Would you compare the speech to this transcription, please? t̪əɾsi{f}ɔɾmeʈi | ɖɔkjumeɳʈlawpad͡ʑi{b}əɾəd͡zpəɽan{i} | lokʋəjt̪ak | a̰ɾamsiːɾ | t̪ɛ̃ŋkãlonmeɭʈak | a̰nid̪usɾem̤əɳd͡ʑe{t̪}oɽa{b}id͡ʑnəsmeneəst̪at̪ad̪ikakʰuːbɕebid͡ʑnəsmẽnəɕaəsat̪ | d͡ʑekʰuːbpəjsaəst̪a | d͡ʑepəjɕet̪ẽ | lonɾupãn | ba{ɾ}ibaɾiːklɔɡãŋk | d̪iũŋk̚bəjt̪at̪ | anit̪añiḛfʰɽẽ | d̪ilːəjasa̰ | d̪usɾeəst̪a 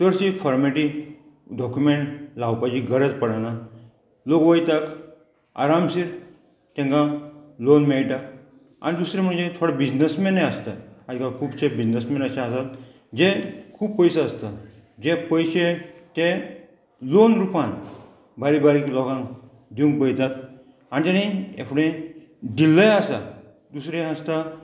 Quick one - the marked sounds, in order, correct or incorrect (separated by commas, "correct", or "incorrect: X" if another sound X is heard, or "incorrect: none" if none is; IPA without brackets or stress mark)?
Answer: correct, incorrect: ɡ, incorrect: a, incorrect: t̪ʰ, correct, correct